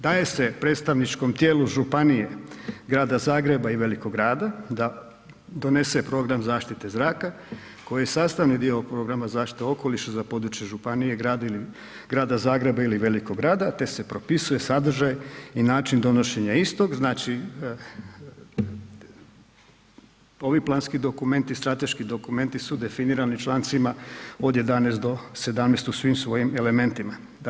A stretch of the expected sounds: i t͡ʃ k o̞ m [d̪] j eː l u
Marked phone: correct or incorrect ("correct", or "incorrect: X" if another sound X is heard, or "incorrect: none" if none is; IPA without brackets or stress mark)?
incorrect: t̪